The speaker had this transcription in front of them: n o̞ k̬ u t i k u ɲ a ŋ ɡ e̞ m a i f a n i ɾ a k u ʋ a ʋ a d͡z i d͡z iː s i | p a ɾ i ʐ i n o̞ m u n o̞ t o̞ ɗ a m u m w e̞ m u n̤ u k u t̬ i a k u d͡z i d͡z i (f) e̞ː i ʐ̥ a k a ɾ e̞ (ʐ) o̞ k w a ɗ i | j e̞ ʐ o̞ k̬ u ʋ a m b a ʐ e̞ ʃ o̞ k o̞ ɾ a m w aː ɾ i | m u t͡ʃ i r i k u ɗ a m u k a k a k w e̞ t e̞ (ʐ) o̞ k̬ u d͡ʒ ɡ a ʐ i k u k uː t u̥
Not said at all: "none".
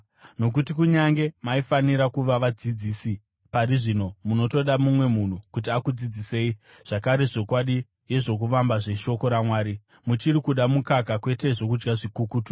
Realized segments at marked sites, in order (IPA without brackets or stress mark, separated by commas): s, ʐ, ʐ